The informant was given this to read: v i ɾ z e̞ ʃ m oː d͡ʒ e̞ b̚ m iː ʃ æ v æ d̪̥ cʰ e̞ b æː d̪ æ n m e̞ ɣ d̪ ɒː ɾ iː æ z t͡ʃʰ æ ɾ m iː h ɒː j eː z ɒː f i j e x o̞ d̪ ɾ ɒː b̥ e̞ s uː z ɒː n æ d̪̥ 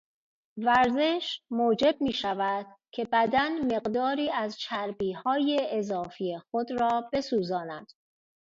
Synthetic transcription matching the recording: v æ ɾ z e̞ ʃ m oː d͡ʒ e̞ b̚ m iː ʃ æ v æ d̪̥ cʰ e̞ b æ d̪ æ n m e̞ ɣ d̪ ɒː ɾ iː æ z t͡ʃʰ æ ɾ b iː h ɒː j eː z ɒː f i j e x o̞ d̪ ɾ ɒː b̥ e̞ s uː z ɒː n æ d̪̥